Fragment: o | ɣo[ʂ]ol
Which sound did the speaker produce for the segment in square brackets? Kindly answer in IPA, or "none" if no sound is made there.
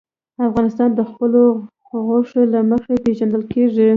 ʂ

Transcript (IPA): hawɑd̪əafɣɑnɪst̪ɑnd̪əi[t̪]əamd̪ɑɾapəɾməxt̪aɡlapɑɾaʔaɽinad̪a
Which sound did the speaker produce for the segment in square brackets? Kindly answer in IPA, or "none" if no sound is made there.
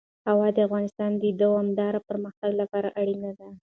d̪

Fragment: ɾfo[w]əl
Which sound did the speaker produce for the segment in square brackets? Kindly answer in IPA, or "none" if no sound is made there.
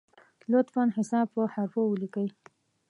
w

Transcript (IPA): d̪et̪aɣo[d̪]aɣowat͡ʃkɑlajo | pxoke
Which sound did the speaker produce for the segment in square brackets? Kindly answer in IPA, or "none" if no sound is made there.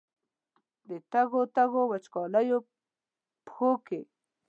t̪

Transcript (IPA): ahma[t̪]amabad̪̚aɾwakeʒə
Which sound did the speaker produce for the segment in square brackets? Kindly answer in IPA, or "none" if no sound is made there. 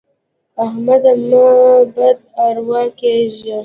d̪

